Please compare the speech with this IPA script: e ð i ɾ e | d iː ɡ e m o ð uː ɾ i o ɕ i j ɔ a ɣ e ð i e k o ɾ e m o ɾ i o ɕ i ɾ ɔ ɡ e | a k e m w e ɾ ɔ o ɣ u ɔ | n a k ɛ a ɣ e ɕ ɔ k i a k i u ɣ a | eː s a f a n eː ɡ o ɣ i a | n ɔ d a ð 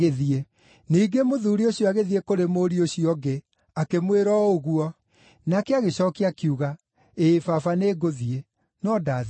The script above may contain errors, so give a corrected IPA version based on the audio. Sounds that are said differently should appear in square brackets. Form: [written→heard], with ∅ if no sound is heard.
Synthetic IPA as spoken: e ð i [ɾ→∅] e | [d→n] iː ɡ e m o ð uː ɾ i o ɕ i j ɔ a ɣ e ð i e k o ɾ e m o ɾ i o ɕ i [ɾ→∅] ɔ ɡ e | a k e m w e ɾ ɔ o ɣ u ɔ | n a k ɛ a ɣ e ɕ ɔ k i a k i u ɣ a | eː [s→f] a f a n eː ɡ o [ɣ→ð] i [a→e] | n ɔ d a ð